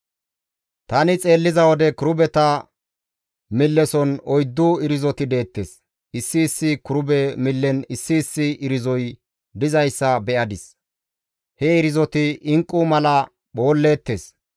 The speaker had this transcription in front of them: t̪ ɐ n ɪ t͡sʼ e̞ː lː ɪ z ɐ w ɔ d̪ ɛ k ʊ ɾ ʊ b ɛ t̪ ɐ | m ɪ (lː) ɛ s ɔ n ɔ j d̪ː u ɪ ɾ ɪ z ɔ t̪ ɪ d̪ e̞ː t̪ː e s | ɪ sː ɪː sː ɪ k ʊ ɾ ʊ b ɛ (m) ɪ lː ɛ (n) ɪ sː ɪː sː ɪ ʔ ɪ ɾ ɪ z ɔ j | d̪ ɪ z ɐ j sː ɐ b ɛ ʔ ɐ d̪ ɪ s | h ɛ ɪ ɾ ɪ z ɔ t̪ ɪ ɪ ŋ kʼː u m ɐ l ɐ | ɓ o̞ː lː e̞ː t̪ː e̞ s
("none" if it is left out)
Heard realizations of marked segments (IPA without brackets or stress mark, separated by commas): lː, m, n